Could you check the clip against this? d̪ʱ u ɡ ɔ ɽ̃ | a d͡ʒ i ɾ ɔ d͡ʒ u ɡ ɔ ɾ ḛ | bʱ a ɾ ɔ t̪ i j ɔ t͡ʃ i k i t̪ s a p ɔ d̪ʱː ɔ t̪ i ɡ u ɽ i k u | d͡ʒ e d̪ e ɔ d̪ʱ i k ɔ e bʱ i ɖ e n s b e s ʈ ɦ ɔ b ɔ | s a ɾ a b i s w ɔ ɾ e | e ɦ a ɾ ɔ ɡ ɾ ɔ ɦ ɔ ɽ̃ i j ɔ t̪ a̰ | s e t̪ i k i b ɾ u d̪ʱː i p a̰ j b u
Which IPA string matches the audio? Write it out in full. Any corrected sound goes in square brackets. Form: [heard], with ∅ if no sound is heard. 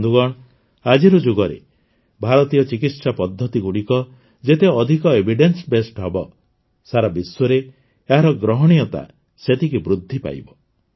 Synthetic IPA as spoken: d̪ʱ u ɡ ɔ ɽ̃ | a d͡ʒ i ɾ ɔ d͡ʒ u ɡ ɔ ɾ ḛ | bʱ a ɾ ɔ t̪ i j ɔ t͡ʃ i k i t̪ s a p ɔ d̪ʱː ɔ t̪ i ɡ u ɽ i k [ɔ] | d͡ʒ e [t̪] e ɔ d̪ʱ i k ɔ e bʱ i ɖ e n s b e s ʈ ɦ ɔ b ɔ | s a ɾ a b i s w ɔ ɾ e | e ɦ a ɾ ɔ ɡ ɾ ɔ ɦ ɔ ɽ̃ i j ɔ t̪ a̰ | s e t̪ i k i b ɾ u d̪ʱː i p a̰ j b [ɔ]